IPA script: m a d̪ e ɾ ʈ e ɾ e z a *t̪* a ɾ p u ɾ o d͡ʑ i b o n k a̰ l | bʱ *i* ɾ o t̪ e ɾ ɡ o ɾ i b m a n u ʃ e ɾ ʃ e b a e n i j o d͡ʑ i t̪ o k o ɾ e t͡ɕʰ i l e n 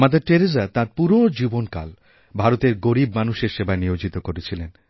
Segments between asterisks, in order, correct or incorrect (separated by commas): correct, incorrect